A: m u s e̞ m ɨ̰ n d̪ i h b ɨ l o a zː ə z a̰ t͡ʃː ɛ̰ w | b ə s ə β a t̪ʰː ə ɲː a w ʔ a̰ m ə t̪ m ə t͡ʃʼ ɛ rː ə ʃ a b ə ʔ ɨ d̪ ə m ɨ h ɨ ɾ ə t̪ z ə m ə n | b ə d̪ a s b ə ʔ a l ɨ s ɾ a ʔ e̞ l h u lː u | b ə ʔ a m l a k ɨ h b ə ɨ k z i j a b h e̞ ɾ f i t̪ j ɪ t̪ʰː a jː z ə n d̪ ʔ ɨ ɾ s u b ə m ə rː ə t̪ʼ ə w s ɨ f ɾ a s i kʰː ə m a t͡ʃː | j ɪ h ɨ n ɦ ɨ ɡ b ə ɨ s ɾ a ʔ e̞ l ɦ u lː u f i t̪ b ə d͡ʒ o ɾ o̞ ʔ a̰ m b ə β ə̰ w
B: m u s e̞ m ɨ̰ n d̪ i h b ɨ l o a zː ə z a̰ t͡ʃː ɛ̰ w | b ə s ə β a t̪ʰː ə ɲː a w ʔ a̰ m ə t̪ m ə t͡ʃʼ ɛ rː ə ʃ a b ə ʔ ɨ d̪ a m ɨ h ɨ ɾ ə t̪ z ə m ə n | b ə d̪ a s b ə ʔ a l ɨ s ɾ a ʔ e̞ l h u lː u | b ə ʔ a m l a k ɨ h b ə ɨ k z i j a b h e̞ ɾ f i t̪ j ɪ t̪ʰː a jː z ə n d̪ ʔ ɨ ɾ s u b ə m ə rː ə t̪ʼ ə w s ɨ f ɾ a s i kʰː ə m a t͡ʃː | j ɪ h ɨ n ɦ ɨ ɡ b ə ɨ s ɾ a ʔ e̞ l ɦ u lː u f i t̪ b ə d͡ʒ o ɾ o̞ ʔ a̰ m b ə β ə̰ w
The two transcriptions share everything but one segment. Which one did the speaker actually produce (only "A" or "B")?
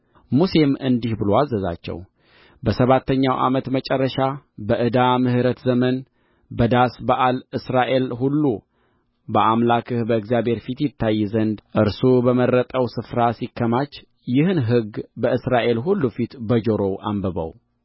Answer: B